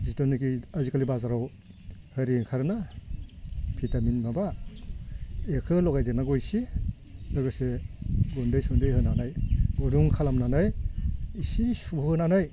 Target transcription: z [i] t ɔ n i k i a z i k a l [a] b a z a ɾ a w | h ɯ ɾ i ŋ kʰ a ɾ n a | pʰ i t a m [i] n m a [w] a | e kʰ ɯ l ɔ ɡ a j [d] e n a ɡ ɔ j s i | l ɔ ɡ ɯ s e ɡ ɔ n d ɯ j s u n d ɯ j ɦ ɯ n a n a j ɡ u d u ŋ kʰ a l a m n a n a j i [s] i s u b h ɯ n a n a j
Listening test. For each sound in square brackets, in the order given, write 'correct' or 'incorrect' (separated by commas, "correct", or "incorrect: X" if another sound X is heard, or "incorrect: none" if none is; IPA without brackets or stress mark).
correct, incorrect: i, correct, incorrect: b, correct, correct